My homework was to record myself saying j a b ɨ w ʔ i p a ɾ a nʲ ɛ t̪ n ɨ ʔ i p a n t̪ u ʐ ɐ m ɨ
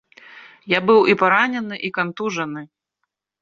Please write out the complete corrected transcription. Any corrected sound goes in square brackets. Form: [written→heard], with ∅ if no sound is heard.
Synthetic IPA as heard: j a b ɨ w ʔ i p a ɾ a nʲ ɛ [t̪→∅] n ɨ ʔ i [p→k] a n t̪ u ʐ ɐ [m→n] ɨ